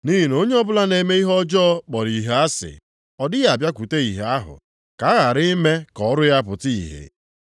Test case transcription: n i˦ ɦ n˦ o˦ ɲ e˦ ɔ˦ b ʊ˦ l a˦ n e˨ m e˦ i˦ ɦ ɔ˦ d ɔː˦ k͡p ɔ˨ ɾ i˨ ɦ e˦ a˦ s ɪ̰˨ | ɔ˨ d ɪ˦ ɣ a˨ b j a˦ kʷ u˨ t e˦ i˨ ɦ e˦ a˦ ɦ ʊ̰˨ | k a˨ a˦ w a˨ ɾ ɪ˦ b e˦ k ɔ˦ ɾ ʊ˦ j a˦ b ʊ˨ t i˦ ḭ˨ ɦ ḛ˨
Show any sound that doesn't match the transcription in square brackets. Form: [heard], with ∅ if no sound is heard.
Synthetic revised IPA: n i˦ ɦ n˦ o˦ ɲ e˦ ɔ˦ b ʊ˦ l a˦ n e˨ m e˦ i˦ ɦ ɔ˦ [d͡ʒ] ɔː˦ k͡p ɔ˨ ɾ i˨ ɦ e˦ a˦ s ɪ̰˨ | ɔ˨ d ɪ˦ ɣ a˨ b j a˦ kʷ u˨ t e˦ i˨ ɦ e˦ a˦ ɦ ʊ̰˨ | k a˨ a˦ [ɣ] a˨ ɾ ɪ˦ [m] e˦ k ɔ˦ ɾ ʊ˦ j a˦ [p] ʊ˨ t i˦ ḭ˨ ɦ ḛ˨

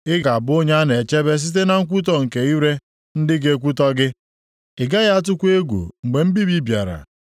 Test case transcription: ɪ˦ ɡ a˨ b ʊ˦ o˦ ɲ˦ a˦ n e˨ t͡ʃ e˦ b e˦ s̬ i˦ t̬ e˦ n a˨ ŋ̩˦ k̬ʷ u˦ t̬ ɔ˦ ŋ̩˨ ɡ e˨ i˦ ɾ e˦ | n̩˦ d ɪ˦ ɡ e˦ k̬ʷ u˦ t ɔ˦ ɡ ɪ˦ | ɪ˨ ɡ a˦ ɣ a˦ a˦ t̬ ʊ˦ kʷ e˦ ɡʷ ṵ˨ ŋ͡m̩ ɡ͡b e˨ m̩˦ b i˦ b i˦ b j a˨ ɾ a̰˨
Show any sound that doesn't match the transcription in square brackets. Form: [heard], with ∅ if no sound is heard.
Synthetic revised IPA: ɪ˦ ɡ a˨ b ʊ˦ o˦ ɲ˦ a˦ n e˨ t͡ʃ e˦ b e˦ s̬ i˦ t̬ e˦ n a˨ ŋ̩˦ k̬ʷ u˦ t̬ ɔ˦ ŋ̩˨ [k] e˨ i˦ ɾ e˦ | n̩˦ d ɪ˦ ɡ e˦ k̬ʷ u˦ t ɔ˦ ɡ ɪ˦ | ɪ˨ ɡ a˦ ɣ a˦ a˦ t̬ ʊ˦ kʷ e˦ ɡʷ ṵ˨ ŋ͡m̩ ɡ͡b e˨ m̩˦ b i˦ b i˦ b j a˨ ɾ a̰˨

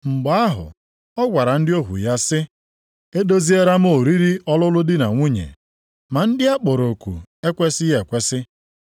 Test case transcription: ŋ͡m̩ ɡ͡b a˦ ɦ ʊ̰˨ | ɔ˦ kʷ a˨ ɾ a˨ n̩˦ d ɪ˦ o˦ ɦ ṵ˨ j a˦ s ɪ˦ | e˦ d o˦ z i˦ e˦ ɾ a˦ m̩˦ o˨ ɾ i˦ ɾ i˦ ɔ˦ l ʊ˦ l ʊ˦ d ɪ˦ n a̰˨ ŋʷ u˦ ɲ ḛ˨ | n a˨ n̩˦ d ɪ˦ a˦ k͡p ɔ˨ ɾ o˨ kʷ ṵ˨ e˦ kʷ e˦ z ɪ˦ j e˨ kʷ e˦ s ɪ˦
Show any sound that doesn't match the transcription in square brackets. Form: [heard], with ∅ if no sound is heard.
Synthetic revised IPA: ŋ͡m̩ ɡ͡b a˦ ɦ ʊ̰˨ | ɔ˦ [ɡʷ] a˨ ɾ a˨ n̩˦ d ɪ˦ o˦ ɦ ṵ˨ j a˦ s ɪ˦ | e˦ d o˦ z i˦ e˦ ɾ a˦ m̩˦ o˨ ɾ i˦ ɾ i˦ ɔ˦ l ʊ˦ l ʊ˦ d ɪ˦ n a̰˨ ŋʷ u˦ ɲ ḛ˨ | [m] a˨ n̩˦ d ɪ˦ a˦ k͡p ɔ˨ ɾ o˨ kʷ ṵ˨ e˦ kʷ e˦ [s] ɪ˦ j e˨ kʷ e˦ s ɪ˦

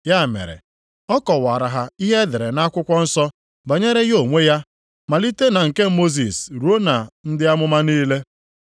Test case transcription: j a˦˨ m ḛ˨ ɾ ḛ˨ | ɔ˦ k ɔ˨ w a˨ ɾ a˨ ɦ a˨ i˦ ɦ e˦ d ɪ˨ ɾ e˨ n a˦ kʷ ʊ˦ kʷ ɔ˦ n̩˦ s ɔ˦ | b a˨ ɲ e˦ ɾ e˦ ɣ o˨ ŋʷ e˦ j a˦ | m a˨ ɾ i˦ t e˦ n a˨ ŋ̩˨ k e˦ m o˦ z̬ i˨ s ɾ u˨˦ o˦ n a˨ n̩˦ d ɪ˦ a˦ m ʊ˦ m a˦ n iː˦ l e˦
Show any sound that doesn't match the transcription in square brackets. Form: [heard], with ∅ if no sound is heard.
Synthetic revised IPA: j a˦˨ m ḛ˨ ɾ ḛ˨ | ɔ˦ k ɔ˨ w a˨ ɾ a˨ ɦ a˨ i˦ ɦ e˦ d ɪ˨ ɾ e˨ n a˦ kʷ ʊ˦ kʷ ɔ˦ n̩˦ s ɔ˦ | b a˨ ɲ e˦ ɾ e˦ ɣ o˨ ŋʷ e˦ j a˦ | m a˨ [l] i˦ t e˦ n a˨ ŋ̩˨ k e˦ m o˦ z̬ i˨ s ɾ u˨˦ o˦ n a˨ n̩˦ d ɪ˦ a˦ m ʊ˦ m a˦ n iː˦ l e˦

